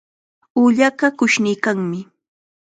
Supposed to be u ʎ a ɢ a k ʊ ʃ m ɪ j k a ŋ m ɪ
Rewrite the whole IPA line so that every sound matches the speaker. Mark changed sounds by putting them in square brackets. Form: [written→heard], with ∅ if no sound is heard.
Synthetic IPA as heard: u ʎ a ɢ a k ʊ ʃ [m→n] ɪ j k a ŋ m ɪ